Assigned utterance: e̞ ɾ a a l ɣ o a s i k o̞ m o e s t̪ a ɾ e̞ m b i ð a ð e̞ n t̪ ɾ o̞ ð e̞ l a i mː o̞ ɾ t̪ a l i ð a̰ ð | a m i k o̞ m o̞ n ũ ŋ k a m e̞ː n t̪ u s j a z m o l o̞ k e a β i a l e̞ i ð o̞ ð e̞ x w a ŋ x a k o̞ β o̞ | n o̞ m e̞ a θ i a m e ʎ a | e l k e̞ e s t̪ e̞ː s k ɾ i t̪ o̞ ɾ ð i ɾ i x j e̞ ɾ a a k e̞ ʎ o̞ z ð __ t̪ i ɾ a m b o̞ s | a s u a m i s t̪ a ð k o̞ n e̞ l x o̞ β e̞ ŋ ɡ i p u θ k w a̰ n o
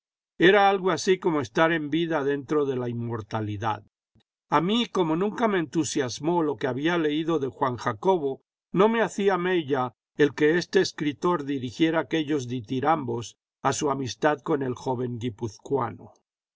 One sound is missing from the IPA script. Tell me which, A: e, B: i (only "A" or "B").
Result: B